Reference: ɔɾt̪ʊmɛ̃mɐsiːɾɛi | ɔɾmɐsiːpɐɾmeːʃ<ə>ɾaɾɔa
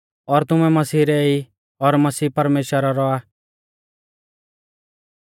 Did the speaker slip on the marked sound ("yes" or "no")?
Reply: no